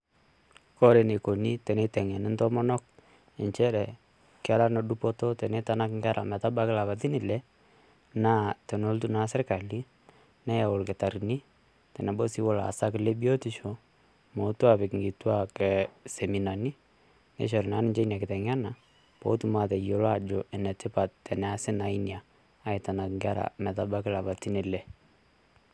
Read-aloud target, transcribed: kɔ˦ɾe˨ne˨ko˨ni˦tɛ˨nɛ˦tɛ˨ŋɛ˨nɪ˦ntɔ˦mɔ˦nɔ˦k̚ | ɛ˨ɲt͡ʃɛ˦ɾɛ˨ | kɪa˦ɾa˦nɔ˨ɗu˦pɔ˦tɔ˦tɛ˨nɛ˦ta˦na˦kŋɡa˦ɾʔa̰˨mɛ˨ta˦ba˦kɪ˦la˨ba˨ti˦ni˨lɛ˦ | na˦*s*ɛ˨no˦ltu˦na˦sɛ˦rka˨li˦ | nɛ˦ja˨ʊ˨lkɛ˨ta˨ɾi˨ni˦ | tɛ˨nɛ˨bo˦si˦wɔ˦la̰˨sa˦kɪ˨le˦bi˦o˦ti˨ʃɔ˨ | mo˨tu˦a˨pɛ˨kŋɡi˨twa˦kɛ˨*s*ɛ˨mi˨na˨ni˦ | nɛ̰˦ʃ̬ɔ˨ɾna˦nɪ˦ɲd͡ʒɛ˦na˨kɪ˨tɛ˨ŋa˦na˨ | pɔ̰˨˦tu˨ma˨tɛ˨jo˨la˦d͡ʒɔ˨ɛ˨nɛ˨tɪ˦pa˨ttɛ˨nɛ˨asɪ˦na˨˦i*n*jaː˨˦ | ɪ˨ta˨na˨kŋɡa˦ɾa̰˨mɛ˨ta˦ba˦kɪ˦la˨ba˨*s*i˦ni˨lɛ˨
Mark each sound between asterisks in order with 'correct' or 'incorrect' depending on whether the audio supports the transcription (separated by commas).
incorrect, correct, correct, incorrect